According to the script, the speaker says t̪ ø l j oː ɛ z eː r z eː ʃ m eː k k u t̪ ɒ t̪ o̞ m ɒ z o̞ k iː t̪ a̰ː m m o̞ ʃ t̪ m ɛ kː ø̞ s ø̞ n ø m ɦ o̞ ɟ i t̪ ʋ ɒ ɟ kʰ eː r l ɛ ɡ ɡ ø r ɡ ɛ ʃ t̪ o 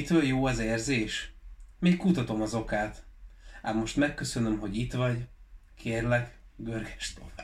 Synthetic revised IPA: t̪ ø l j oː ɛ z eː r z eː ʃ m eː k k u t̪ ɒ t̪ o̞ m ɒ z o̞ k aː t̪ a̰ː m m o̞ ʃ t̪ m ɛ kː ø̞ s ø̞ n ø m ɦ o̞ ɟ i t̪ ʋ ɒ ɟ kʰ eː r l ɛ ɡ ɡ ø r ɡ ɛ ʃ t̪ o